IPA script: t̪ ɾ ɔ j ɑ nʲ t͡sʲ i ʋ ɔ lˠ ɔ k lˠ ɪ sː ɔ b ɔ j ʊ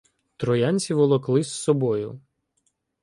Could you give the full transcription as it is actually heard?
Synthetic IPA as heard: t̪ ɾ ɔ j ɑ nʲ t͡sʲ i ʋ ɔ lˠ ɔ k lˠ ɪ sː ɔ b ɔ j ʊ